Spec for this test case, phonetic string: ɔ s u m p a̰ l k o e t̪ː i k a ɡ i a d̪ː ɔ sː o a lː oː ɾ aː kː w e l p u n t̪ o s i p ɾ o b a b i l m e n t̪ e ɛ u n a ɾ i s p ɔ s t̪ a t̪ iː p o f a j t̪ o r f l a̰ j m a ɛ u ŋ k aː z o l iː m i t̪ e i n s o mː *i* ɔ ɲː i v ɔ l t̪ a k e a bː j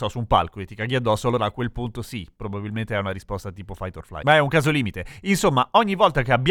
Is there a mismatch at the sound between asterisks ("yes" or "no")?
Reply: yes